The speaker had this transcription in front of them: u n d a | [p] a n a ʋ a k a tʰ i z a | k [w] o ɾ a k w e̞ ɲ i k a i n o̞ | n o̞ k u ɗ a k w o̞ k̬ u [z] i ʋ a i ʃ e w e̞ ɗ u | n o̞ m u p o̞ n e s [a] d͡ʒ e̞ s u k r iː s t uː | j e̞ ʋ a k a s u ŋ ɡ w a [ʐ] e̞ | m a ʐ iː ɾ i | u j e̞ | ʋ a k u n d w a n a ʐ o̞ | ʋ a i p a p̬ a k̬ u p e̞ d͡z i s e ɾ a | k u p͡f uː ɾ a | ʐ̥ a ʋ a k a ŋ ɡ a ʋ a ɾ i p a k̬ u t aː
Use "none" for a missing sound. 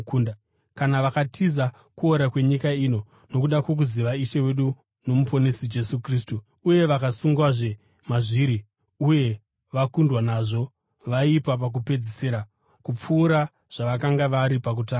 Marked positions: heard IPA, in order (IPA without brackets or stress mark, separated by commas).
k, u, z, i, ʐ